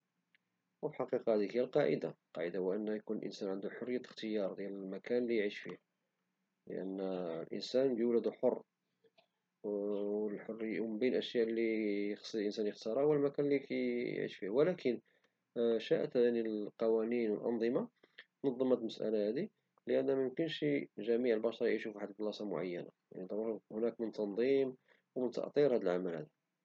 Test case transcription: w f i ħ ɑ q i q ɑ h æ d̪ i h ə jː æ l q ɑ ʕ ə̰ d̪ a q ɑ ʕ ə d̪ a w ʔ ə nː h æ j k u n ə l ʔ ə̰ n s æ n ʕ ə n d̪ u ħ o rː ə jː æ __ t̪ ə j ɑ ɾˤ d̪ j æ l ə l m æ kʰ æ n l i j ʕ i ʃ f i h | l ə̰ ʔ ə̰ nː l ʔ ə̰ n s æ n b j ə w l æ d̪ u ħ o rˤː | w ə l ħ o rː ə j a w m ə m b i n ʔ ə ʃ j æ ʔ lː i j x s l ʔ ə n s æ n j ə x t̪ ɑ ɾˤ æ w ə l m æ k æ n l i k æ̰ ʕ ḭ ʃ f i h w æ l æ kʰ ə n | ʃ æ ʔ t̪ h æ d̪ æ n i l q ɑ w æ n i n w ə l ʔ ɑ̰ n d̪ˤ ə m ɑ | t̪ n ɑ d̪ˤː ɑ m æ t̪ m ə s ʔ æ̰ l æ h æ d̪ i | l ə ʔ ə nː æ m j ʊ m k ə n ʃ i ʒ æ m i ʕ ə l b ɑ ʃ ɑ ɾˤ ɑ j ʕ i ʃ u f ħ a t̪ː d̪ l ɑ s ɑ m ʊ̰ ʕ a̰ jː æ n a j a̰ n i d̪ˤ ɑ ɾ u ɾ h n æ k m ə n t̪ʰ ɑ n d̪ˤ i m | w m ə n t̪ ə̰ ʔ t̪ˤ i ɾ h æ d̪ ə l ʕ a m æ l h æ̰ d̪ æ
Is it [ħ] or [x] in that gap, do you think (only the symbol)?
x